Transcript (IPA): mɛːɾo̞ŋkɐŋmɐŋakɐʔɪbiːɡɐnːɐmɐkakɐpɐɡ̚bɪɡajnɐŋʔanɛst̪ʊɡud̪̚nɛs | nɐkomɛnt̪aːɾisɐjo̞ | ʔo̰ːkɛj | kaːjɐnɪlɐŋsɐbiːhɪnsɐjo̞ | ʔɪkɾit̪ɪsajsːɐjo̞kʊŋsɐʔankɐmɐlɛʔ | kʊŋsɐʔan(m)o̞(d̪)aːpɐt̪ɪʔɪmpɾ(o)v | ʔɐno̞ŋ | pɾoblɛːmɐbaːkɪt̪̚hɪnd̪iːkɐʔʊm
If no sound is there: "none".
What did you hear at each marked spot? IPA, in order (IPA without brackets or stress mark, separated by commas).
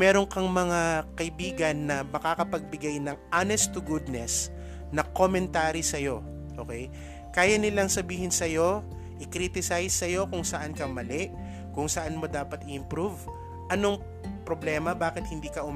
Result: m, d̪, u